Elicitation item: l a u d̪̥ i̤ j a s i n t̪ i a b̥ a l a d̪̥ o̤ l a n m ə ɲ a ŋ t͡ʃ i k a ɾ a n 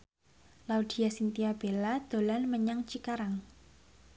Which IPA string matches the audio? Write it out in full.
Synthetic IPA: l a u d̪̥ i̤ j a s i n t̪ i a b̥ e l a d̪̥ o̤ l a n m ə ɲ a ŋ t͡ʃ i k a ɾ a ŋ